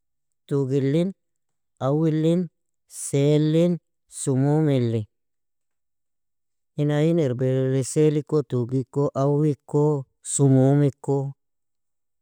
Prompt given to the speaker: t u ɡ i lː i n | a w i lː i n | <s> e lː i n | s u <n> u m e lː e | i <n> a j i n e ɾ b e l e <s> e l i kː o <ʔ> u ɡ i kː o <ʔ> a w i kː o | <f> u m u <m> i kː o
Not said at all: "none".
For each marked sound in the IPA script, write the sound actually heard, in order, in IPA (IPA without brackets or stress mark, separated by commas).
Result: s, m, n, s, t, ʔ, s, m